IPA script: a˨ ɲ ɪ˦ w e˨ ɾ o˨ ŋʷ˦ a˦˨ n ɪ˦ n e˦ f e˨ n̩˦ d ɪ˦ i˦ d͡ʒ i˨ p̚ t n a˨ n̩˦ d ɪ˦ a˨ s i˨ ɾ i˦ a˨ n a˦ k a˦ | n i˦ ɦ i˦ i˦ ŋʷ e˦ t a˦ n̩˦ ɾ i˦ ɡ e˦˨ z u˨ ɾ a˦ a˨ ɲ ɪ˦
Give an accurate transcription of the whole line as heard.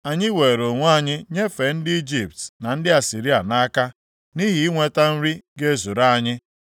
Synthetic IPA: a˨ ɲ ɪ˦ w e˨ ɾ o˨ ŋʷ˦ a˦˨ ɲ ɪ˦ ɲ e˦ f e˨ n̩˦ d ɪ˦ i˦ d͡ʒ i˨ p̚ t n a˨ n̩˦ d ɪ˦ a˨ s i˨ ɾ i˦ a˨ n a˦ k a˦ | n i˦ ɦ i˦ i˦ ŋʷ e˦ t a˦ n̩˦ ɾ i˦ ɡ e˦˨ z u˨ ɾ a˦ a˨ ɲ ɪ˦